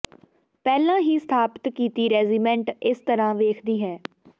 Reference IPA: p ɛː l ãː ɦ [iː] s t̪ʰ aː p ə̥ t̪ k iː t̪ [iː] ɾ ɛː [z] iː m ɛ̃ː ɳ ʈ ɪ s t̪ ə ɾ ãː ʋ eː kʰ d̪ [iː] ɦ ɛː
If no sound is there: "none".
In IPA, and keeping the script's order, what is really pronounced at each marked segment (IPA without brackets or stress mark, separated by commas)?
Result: iː, iː, z, iː